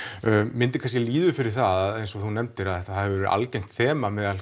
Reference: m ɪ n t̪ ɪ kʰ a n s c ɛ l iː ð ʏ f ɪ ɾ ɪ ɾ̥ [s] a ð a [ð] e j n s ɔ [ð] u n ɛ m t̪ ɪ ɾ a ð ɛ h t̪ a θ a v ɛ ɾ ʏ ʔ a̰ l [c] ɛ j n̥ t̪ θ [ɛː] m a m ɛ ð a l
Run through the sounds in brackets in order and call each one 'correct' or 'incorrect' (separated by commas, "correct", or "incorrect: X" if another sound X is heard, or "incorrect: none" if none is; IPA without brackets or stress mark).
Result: incorrect: θ, correct, incorrect: θ, correct, correct